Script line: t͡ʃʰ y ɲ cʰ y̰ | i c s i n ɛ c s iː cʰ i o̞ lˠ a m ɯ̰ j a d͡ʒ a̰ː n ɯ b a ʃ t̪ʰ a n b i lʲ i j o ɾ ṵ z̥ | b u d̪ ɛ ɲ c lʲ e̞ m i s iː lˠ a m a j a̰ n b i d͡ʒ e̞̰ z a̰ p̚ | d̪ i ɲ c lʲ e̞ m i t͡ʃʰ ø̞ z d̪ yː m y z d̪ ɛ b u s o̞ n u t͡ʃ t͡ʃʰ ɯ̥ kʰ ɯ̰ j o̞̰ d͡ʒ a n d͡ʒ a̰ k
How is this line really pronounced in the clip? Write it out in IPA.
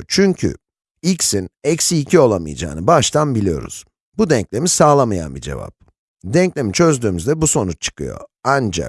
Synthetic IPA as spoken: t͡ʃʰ y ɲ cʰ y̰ | i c s i n ɛ c s iː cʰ i o̞ lˠ a m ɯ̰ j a d͡ʒ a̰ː n ɯ b a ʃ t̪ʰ a n b i lʲ i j o ɾ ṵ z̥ | b u d̪ ɛ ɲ c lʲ e̞ m i s aː lˠ a m a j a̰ n b i d͡ʒ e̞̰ v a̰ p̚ | d̪ ɛ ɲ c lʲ e̞ m i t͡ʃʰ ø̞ z d̪ yː m y z d̪ ɛ b u s o̞ n u t͡ʃ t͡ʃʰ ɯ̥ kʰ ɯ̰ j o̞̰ a n d͡ʒ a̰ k